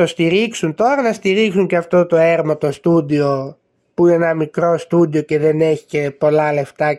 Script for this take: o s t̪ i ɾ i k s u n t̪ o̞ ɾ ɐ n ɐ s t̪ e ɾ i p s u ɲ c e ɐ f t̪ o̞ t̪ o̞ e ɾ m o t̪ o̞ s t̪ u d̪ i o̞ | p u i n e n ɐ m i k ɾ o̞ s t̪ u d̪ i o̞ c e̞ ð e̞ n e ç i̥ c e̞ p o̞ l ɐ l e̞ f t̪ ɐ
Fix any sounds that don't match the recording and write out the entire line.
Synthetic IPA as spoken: o s t̪ i ɾ i k s u n t̪ o̞ ɾ ɐ n ɐ s t̪ i ɾ i k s u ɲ c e ɐ f t̪ o̞ t̪ o̞ e ɾ m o t̪ o̞ s t̪ u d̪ i o̞ | p u i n e n ɐ m i k ɾ o̞ s t̪ u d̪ i o̞ c e̞ ð e̞ n e ç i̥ c e̞ p o̞ l ɐ l e̞ f t̪ ɐ